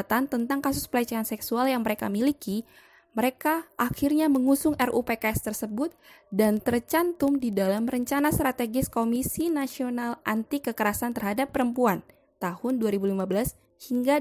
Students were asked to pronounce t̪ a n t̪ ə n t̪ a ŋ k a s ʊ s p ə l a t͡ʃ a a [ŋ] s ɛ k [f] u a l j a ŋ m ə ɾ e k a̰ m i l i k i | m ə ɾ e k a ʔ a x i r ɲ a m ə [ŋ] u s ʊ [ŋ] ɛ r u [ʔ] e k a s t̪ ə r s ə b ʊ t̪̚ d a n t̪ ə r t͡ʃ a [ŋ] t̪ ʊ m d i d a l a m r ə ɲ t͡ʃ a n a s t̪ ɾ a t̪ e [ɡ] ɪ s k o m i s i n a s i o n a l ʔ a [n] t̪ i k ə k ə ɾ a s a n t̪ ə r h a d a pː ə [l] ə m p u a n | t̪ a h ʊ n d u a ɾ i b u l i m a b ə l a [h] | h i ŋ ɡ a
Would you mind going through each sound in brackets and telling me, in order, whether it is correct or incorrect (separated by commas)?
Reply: incorrect, incorrect, correct, correct, incorrect, incorrect, correct, correct, incorrect, incorrect